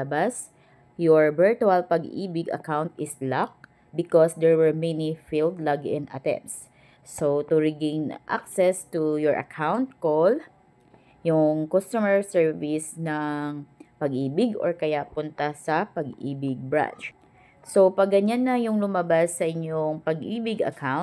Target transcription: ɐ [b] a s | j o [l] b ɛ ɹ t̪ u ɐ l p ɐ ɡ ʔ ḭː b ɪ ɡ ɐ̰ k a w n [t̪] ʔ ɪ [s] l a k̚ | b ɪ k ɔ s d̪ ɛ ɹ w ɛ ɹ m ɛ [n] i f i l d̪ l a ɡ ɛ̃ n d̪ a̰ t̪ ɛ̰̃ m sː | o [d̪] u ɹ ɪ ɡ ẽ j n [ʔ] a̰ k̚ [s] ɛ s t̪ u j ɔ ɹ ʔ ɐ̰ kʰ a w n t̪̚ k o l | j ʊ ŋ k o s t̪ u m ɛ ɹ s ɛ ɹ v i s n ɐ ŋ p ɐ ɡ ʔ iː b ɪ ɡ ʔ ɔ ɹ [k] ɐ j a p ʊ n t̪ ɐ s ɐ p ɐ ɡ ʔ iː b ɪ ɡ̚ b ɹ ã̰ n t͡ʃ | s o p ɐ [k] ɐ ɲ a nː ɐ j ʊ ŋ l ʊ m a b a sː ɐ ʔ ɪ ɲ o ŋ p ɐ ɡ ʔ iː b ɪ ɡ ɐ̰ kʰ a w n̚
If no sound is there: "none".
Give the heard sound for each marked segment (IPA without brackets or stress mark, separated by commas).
b, ɹ, t̪, s, n, t̪, ʔ, s, k, ɡ